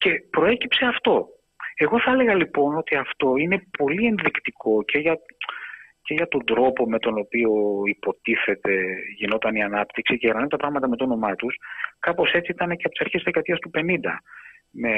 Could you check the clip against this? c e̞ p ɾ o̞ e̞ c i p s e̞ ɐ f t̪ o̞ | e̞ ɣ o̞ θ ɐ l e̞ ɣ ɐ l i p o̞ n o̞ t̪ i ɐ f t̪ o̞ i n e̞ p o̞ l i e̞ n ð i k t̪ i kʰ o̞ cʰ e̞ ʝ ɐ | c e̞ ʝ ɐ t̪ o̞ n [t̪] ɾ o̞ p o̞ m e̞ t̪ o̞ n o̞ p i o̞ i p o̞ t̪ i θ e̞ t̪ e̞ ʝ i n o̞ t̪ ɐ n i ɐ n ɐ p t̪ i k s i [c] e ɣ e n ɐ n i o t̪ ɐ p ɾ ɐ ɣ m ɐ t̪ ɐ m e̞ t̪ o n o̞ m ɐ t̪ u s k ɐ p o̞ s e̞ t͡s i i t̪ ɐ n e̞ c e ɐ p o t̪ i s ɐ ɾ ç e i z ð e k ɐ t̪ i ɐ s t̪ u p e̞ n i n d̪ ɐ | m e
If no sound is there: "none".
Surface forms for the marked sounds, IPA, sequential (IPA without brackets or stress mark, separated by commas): d̪, c